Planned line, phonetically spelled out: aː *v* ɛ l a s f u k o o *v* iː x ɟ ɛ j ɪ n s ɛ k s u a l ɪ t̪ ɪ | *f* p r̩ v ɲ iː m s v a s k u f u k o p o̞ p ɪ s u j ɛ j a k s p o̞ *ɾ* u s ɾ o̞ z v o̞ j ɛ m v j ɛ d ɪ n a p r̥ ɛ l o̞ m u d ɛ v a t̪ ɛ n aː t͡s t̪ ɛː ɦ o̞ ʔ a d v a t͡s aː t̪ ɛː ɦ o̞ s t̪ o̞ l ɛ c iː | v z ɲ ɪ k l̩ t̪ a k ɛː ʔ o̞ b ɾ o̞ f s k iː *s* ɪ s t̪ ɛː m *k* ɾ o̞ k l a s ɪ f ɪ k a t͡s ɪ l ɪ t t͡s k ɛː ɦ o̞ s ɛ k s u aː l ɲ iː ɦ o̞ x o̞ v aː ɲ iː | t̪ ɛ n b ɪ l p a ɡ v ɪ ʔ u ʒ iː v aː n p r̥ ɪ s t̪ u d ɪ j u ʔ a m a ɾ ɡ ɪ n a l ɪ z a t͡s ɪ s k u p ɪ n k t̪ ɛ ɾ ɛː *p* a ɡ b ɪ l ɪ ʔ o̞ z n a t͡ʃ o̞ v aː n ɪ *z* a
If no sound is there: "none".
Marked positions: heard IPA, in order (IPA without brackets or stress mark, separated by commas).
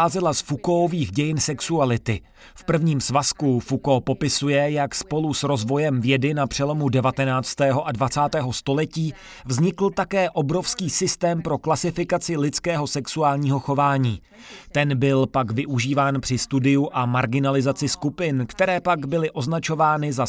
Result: z, v, f, l, s, p, p, z